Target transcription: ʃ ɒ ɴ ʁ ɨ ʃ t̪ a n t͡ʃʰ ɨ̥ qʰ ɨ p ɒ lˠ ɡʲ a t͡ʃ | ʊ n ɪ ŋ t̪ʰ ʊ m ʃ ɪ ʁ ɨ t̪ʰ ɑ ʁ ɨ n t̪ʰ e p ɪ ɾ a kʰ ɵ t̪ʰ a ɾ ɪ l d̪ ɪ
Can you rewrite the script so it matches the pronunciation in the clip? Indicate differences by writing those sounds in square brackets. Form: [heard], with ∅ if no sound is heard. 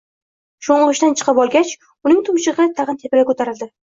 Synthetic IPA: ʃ [o] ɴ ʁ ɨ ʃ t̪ a n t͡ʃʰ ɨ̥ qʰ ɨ p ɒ lˠ ɡʲ a t͡ʃ | ʊ n ɪ ŋ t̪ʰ ʊ m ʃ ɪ ʁ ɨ t̪ʰ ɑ ʁ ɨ n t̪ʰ e p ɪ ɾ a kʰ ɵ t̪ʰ a ɾ ɪ l d̪ ɪ